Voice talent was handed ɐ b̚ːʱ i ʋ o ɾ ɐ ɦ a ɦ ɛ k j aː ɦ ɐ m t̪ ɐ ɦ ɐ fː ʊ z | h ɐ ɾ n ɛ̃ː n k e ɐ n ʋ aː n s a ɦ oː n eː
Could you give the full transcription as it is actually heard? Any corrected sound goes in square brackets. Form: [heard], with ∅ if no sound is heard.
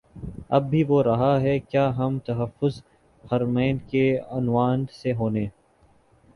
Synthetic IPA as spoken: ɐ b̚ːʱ i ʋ o ɾ ɐ ɦ a ɦ ɛ k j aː ɦ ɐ m t̪ ɐ ɦ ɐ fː ʊ z | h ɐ ɾ [m] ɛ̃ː n k e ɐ n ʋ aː n s [e] ɦ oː n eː